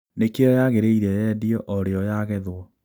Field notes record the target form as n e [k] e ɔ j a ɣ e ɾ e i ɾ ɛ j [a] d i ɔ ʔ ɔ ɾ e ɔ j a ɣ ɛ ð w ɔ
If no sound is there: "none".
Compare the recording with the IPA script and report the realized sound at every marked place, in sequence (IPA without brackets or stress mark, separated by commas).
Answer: k, ɛ